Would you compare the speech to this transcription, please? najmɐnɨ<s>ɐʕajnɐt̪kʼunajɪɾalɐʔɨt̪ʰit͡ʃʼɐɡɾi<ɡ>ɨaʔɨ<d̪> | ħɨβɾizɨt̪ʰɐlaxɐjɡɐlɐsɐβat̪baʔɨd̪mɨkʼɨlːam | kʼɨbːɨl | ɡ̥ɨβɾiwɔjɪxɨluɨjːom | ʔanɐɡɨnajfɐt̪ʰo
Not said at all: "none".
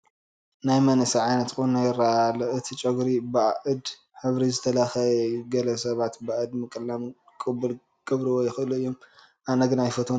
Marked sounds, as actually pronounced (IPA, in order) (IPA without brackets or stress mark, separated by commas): s, b, d̪